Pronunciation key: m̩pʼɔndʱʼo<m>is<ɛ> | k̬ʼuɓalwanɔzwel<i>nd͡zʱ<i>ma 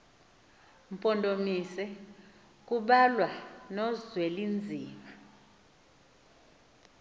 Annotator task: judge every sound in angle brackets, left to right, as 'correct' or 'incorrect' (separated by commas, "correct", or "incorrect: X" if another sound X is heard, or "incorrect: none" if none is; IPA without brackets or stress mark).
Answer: correct, correct, correct, incorrect: iː